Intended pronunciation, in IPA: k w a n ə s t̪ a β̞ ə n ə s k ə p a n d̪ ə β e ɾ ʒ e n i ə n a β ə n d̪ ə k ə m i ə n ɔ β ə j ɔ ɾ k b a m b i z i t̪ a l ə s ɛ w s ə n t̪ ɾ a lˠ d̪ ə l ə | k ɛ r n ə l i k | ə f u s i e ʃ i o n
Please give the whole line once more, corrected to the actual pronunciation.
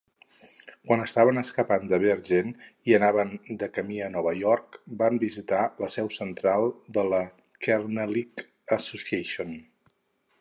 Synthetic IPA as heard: k w a n ə s t̪ a β̞ ə n ə s k ə p a n d̪ ə β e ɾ ʒ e n i ə n a β ə n d̪ ə k ə m i ə n ɔ β ə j ɔ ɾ k b a m b i z i t̪ a l ə s ɛ w s ə n t̪ ɾ a lˠ d̪ ə l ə | k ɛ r n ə l i k | ə s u s i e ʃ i o n